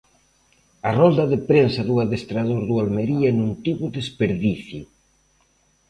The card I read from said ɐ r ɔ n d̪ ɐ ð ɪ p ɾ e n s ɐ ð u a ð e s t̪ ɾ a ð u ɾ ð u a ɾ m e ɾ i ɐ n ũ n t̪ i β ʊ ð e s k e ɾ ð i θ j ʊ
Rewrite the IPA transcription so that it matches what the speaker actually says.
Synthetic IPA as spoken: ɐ r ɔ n d̪ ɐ ð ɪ p ɾ e n s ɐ ð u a ð e s t̪ ɾ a ð o ɾ ð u a l m e ɾ i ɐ n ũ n t̪ i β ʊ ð e s p e ɾ ð i θ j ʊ